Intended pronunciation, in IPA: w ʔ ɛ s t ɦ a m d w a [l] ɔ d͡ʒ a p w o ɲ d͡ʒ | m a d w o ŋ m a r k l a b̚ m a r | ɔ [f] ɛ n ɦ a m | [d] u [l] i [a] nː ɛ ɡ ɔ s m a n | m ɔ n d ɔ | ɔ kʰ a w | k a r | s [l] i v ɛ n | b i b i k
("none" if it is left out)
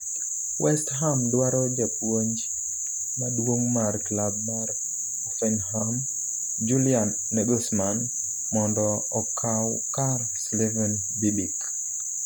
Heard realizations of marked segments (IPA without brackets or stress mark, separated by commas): ɾ, f, d͡ʒ, l, a, l